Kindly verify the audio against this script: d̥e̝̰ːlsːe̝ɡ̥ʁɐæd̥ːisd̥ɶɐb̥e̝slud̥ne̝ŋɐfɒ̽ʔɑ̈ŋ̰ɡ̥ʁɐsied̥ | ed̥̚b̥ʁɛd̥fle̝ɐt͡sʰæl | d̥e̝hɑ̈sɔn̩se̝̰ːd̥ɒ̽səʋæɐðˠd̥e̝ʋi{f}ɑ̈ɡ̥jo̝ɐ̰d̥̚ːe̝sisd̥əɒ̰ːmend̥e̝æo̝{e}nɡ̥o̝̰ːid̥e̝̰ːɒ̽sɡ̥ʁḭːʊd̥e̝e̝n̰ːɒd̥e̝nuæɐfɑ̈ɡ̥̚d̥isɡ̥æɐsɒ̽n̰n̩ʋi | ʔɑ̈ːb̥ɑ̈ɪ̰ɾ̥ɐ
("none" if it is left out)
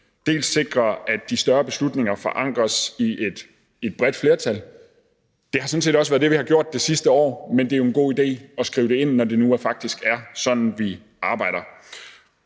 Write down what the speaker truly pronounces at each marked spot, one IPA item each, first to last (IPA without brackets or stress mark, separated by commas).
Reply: h, e